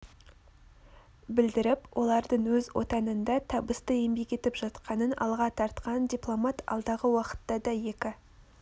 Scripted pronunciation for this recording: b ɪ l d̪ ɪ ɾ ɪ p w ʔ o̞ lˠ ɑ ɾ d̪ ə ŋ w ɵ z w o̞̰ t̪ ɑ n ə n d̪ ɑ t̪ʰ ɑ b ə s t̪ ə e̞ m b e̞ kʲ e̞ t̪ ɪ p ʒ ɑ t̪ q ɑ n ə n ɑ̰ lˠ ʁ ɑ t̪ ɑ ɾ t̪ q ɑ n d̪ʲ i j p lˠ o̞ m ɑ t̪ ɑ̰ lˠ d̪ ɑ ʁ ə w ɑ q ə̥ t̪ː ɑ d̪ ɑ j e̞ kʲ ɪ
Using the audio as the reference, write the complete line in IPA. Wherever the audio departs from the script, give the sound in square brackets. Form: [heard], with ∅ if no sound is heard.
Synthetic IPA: b ɪ l d̪ ɪ ɾ ɪ p w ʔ o̞ lˠ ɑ ɾ d̪ ə [ɴ] w ɵ z w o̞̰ t̪ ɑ n ə n d̪ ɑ t̪ʰ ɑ b ə s t̪ ə e̞ m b e̞ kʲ e̞ t̪ ɪ p ʒ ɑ t̪ q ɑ n ə n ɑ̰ lˠ ʁ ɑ [t̪ʰ] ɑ ɾ t̪ q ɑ n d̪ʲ i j p lˠ o̞ m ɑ t̪ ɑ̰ lˠ d̪ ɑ ʁ ə w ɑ q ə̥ t̪ː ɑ d̪ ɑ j e̞ kʲ ɪ